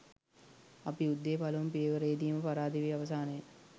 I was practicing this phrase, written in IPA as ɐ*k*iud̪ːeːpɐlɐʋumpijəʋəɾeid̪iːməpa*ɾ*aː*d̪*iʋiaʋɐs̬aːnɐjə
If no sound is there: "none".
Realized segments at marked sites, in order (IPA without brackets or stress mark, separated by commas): p, ɾ, d̪